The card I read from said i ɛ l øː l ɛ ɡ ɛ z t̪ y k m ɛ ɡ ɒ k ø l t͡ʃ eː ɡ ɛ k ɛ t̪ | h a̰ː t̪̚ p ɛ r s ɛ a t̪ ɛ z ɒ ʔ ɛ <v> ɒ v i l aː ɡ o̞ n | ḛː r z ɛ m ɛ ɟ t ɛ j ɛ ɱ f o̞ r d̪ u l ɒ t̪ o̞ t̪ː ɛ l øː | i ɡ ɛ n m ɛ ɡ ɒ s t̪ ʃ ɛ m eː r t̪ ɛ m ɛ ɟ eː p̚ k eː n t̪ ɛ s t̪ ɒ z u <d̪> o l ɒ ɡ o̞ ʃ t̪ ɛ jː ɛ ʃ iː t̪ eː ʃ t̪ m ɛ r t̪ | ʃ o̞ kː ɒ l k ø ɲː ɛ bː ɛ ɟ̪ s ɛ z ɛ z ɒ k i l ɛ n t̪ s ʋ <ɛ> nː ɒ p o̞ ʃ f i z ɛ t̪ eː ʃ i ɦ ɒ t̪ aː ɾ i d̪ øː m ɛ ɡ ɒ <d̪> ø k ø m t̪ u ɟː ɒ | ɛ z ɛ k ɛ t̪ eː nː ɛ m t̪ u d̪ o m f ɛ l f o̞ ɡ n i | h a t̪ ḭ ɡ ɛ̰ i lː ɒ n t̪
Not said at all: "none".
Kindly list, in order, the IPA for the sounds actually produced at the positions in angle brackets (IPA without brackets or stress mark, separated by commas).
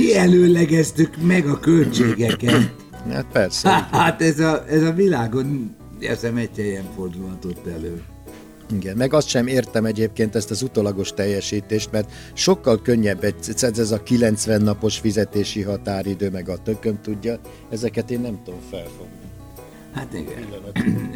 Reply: z, t̪, ɛ, t̪